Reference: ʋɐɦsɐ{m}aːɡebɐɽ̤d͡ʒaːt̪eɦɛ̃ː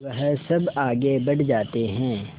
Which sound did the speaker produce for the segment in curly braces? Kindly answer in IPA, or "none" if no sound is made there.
b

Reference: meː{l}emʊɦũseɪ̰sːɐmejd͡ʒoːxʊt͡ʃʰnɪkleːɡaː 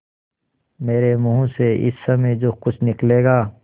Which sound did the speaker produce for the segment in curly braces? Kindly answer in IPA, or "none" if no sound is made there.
ɾ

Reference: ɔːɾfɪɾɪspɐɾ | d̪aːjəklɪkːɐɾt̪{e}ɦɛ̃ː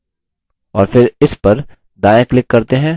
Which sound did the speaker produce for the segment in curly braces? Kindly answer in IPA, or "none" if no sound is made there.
e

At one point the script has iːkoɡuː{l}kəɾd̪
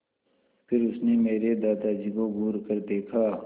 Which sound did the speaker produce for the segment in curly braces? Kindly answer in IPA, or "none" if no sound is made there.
ɾ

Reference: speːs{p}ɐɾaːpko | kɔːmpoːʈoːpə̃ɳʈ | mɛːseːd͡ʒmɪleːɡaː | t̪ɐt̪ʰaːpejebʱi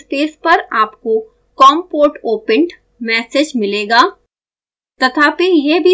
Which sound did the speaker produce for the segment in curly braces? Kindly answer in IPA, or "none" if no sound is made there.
p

